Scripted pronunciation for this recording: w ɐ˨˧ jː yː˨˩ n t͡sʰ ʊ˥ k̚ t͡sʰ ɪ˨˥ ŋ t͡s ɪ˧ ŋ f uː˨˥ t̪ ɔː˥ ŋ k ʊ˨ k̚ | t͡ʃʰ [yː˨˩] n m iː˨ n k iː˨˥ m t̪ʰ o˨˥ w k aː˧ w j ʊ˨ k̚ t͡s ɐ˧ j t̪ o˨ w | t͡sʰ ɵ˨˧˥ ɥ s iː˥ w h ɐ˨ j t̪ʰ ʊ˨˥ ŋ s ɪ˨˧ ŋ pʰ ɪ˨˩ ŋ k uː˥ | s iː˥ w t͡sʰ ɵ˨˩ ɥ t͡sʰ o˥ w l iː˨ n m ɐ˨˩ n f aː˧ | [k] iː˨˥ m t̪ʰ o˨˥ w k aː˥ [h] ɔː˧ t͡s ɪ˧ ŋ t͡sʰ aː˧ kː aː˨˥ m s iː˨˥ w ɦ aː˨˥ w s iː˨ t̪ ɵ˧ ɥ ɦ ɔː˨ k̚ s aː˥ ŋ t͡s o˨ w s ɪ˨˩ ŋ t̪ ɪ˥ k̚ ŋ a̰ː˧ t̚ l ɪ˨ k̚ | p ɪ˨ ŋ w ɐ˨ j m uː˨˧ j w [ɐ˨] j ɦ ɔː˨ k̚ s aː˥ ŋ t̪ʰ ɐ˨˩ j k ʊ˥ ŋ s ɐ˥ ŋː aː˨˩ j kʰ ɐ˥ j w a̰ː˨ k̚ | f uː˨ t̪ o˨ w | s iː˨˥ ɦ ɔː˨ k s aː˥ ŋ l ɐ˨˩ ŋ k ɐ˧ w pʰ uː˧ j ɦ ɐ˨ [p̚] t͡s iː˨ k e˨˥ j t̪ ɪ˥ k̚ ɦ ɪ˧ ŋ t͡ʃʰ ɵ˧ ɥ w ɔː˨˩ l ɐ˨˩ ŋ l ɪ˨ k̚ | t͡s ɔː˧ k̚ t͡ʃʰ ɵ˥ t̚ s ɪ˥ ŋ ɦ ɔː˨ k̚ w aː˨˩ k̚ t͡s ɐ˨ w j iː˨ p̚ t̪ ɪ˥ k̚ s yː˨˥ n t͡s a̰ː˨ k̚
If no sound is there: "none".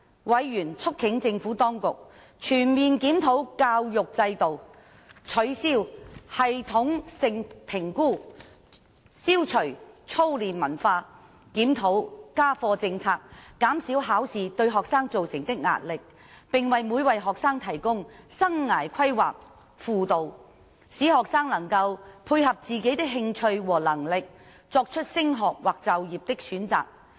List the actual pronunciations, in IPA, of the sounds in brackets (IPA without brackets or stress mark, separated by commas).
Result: yː˨˩, k, f, ɐ˨, p̚